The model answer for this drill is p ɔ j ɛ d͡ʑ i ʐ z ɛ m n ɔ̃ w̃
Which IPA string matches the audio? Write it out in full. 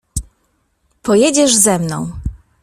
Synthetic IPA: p ɔ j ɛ d͡ʑ ɛ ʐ z ɛ m n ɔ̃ w̃